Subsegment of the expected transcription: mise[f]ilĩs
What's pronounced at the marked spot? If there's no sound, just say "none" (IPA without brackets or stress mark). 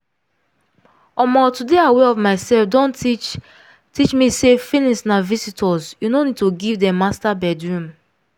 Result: f